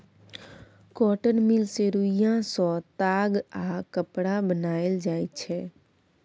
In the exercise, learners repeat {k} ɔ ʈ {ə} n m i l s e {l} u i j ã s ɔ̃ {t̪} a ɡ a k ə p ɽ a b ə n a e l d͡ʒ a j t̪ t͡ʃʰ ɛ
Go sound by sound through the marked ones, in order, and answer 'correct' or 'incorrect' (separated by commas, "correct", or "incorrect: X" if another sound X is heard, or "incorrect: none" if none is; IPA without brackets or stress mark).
correct, correct, incorrect: ɾ, correct